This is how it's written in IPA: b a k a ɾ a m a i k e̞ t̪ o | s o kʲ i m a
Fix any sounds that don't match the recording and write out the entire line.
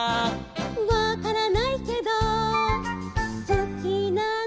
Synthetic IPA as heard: β a k a ɾ a n a i k e̞ d̪ o | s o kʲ i n a